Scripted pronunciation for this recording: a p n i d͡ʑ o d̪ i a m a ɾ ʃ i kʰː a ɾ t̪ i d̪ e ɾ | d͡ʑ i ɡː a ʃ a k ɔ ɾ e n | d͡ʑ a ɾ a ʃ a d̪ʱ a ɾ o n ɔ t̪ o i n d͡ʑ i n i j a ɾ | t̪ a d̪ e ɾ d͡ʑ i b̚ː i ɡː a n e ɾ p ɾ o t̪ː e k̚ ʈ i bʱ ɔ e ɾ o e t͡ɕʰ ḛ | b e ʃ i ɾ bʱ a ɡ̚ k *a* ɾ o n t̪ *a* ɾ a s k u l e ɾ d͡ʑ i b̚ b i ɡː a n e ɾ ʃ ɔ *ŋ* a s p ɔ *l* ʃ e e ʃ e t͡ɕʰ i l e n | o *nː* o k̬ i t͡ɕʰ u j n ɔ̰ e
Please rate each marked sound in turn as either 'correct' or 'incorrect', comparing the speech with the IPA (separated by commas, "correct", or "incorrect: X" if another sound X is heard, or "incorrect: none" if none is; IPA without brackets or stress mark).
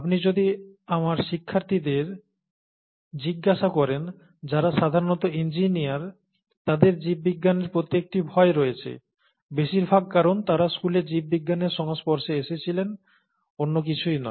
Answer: correct, correct, correct, incorrect: ɾ, correct